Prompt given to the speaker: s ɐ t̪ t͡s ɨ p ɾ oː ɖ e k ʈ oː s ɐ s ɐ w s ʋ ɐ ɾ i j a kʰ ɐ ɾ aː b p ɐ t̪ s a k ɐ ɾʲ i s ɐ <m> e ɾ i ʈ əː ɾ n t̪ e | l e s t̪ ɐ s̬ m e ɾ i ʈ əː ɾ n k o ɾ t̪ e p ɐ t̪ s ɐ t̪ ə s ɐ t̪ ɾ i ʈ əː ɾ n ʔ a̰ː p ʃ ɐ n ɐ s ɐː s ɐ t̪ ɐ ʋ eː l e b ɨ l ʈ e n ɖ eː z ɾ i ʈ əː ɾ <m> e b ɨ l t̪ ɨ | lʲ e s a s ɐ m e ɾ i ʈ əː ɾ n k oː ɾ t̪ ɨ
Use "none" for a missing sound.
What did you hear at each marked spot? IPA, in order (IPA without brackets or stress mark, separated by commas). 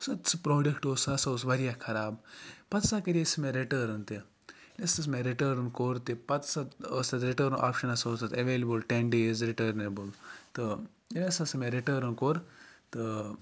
m, n